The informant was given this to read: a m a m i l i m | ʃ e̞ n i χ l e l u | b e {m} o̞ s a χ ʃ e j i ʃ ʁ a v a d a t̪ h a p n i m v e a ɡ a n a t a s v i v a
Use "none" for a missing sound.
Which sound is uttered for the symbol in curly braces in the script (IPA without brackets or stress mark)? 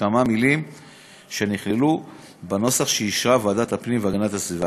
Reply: n